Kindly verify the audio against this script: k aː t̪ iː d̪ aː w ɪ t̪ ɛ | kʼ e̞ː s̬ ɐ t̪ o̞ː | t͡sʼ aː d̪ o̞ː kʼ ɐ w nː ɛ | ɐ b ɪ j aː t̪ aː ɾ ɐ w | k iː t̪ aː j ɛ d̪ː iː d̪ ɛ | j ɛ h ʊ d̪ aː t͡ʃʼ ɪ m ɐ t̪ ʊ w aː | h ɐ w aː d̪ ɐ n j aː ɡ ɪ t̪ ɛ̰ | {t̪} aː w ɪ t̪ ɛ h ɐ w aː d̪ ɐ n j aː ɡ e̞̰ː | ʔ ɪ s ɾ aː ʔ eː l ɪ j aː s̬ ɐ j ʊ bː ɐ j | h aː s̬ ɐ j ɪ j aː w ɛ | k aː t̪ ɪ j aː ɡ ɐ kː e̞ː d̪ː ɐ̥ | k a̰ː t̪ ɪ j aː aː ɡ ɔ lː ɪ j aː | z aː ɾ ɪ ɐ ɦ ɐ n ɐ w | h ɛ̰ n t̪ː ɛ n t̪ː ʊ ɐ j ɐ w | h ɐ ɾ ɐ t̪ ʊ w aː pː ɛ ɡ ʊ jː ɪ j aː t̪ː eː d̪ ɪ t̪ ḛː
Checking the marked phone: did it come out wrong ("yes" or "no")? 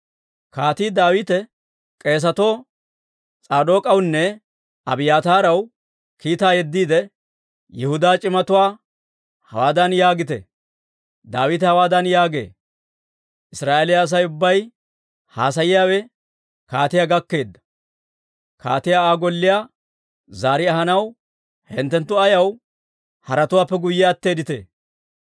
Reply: yes